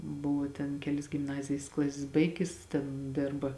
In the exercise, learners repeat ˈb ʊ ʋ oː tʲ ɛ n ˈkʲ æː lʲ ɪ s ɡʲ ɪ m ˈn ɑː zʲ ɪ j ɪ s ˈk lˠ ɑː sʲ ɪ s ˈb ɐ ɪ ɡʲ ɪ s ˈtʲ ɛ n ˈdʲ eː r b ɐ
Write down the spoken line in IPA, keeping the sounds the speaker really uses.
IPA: ˈb ʊ ʋ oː tʲ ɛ n ˈkʲ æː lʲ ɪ s ɡʲ ɪ m ˈn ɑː zʲ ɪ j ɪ s ˈk lˠ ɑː sʲ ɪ s ˈb ɐ ɪ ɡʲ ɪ s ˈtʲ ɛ n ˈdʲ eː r b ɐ